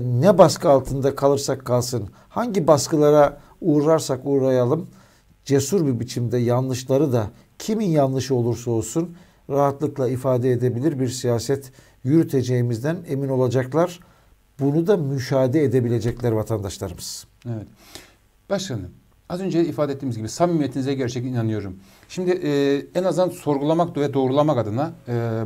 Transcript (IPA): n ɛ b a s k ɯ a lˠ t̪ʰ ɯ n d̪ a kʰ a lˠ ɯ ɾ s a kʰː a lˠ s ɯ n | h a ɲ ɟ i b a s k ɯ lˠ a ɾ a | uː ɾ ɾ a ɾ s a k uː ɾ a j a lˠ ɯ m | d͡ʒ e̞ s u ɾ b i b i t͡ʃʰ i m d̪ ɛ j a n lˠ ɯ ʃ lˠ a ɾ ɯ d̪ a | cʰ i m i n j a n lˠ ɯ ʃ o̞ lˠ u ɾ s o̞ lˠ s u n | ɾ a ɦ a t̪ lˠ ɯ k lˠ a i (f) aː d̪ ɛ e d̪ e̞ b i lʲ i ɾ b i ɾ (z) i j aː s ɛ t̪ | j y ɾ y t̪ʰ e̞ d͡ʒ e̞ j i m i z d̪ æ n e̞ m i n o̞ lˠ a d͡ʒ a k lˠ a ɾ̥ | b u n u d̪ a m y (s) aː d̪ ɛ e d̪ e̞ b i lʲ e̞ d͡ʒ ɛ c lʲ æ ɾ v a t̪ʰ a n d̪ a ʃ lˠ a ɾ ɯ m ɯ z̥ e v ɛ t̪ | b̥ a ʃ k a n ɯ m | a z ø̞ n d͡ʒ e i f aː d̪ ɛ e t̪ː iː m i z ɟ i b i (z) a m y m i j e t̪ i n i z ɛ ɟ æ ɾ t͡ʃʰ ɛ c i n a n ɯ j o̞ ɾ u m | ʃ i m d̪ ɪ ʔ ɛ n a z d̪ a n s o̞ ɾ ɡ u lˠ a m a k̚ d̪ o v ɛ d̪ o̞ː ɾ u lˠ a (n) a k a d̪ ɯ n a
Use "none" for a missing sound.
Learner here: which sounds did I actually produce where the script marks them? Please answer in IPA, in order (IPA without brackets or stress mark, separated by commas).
f, s, ʃ, s, m